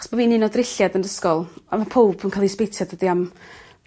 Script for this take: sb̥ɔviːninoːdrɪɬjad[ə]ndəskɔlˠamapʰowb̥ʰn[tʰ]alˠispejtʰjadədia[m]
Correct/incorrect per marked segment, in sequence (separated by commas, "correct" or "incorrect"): correct, incorrect, correct